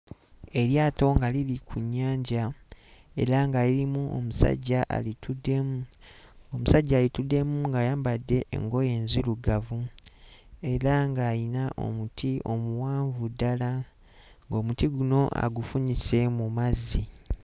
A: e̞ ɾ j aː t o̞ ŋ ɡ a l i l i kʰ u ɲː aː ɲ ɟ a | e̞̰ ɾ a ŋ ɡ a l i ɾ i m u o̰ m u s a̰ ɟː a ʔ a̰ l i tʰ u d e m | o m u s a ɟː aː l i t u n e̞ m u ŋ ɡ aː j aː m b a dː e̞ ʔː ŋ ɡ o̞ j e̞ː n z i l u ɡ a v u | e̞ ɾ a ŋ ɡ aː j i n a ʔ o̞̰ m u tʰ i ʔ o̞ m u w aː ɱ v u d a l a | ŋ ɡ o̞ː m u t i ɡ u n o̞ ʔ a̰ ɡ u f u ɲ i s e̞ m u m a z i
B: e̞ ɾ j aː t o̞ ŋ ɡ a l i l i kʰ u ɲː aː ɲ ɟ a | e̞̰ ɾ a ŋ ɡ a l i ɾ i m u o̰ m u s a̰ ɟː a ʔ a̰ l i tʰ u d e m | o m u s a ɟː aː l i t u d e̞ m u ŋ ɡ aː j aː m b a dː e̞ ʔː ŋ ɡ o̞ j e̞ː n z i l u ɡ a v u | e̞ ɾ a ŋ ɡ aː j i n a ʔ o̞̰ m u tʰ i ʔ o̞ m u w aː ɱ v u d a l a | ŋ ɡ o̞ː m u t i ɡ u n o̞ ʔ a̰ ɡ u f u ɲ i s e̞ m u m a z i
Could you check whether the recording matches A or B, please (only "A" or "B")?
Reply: B